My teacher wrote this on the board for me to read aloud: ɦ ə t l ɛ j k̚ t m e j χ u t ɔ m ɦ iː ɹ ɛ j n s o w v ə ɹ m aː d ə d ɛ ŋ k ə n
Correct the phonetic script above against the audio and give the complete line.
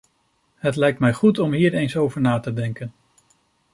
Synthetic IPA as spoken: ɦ ə t l ɛ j k̚ t m ɛ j χ u t ɔ m ɦ iː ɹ e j n s o w v ə ɹ n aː t ə d ɛ ŋ k ə n